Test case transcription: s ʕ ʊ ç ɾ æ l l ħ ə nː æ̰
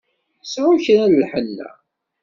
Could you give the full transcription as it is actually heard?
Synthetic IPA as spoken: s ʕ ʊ ç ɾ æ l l ħ ə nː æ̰